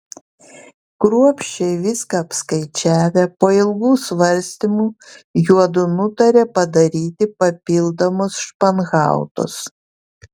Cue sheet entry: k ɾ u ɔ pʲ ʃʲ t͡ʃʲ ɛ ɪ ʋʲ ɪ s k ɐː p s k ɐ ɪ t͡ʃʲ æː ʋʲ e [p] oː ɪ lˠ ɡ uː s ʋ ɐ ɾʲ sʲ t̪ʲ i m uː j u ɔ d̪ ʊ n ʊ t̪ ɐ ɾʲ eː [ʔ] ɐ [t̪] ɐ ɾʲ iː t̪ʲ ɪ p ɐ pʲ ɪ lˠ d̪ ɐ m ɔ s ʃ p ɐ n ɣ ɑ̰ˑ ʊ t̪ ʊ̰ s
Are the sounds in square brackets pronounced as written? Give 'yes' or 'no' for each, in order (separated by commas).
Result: yes, no, no